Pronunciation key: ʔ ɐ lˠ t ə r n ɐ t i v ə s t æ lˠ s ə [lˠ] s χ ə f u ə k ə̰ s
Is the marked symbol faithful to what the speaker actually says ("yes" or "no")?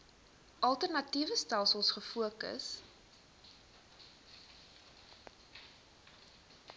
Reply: yes